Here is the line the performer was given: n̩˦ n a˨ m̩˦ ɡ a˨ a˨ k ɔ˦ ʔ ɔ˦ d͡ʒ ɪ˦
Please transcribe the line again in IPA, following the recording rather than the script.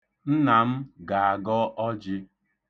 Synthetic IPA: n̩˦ n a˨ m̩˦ ɡ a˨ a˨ ɡ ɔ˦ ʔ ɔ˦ d͡ʒ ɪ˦